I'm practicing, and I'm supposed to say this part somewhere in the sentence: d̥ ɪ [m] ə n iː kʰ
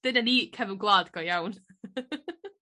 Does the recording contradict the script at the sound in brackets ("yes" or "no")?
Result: yes